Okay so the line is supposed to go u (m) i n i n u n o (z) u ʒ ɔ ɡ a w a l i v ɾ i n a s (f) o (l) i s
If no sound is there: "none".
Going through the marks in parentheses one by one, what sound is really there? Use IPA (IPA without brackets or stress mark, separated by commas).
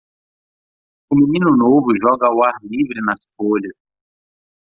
m, v, f, l